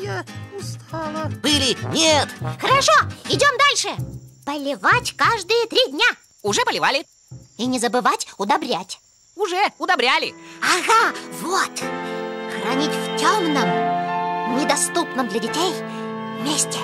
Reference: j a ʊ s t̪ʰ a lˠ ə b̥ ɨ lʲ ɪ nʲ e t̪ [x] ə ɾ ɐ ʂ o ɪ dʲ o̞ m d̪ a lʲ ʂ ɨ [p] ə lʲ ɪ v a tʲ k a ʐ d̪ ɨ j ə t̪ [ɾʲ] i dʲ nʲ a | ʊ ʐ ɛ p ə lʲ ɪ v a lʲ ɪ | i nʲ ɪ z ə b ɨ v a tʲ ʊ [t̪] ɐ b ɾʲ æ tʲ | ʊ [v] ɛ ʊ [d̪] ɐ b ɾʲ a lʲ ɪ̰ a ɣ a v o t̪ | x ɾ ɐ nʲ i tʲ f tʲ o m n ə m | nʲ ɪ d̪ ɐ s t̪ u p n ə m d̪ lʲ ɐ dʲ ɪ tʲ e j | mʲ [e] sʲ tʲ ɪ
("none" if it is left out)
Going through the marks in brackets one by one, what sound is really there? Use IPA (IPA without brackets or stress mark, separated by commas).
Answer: x, p, ɾʲ, d̪, ʐ, d̪, e